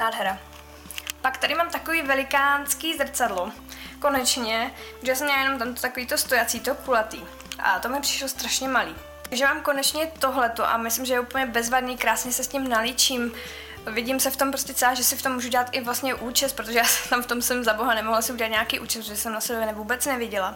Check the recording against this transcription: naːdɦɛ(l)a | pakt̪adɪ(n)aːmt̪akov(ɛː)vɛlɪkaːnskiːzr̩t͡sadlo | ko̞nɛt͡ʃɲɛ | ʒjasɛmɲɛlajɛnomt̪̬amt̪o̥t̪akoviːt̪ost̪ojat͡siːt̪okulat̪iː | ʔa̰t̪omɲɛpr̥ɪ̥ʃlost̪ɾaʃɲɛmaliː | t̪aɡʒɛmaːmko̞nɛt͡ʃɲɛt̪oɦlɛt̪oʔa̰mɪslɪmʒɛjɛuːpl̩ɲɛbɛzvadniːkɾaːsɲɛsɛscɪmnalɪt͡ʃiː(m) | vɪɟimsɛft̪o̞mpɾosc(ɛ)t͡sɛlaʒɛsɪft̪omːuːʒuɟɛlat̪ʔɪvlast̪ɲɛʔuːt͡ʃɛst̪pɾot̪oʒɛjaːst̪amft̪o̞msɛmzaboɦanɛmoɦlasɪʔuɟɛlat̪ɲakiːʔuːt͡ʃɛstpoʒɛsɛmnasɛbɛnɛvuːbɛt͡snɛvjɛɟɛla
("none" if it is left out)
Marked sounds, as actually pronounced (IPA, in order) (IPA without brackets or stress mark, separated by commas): ɾ, m, iː, m, ɛ